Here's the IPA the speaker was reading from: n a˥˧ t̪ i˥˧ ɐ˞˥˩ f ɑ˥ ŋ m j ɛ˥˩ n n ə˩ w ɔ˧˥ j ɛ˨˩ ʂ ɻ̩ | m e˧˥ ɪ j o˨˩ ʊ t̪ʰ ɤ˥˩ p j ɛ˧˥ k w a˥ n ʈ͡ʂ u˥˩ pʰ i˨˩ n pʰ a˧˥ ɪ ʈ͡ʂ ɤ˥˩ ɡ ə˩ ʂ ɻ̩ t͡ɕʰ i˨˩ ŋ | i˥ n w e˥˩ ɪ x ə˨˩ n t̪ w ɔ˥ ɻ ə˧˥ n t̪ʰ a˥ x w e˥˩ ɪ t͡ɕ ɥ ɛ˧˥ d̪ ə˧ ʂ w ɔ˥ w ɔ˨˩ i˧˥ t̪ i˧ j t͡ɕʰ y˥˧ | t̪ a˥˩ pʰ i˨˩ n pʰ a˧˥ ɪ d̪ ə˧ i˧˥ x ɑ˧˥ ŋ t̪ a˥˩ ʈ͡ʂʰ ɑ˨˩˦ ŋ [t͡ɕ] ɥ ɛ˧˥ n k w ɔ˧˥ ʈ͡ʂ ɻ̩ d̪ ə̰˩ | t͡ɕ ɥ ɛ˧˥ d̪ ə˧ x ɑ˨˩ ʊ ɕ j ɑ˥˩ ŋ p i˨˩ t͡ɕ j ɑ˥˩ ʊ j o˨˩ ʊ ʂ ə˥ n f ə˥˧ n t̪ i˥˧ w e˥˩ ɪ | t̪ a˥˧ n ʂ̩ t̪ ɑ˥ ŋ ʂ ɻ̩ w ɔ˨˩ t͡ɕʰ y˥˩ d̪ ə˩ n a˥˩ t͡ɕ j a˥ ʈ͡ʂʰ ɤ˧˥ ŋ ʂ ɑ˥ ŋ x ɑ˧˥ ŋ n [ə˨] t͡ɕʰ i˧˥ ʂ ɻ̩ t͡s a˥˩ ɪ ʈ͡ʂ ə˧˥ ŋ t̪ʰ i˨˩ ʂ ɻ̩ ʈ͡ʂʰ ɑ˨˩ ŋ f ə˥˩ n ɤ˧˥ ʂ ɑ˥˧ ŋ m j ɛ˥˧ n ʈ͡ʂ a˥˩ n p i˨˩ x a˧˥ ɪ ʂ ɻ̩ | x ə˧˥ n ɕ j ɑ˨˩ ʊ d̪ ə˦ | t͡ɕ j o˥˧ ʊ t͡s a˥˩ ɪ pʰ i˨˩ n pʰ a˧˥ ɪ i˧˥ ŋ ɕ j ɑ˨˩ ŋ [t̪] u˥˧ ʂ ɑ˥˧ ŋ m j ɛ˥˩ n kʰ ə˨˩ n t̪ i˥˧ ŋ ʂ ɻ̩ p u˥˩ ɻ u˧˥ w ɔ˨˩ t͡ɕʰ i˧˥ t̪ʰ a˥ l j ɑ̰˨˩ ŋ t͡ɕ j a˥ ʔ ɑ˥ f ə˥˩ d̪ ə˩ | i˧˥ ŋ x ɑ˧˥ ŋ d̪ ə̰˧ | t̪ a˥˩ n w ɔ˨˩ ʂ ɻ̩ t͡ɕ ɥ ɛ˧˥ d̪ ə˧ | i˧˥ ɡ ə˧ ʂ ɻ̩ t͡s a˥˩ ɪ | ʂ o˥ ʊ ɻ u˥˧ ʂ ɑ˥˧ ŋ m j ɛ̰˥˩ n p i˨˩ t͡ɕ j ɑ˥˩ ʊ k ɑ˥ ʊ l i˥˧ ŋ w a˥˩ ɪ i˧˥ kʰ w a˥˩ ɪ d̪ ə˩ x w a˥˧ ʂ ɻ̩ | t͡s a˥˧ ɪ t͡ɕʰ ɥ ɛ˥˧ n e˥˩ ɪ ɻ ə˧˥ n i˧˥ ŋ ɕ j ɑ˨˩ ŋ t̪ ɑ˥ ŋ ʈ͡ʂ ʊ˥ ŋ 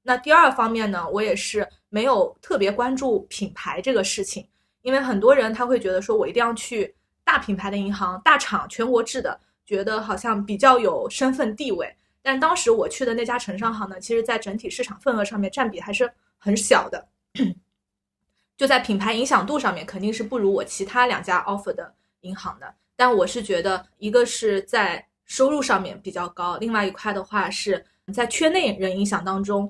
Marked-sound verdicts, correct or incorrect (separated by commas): incorrect, correct, correct